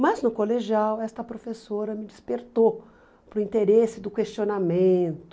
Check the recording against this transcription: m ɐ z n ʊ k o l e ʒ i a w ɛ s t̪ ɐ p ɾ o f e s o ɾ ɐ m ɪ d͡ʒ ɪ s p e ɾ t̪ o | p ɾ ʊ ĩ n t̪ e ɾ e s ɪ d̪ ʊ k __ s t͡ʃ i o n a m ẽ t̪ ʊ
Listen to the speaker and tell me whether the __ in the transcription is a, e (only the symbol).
e